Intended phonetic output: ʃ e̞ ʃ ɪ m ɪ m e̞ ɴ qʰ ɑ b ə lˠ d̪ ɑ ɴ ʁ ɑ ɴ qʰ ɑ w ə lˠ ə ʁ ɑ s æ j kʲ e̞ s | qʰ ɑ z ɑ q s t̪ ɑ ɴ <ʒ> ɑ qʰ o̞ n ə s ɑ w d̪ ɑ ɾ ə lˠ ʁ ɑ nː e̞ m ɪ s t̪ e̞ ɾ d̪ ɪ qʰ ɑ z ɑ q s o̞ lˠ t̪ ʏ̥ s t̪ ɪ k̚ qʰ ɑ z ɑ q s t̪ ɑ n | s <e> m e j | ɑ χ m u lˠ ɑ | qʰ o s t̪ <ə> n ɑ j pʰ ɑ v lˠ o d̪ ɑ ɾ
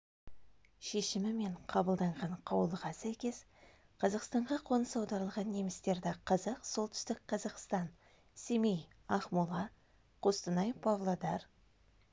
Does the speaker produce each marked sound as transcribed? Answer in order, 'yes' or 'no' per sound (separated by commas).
no, yes, yes